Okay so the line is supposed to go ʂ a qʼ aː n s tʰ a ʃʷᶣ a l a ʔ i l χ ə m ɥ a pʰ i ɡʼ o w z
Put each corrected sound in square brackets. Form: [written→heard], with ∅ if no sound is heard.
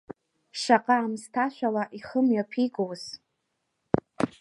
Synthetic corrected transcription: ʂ a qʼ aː [n→m] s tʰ a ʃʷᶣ a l a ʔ i [l→∅] χ ə m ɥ a pʰ i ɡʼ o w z